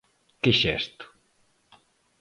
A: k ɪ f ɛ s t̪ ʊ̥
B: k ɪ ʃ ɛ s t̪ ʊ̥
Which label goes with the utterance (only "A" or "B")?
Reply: B